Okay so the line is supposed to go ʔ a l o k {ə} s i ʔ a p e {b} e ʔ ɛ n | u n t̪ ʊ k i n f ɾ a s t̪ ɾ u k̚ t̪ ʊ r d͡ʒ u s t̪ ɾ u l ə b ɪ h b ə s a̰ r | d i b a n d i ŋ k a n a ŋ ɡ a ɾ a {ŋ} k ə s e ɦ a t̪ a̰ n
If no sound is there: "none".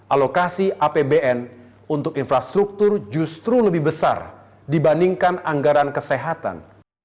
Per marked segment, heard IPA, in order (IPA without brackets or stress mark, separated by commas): a, b, n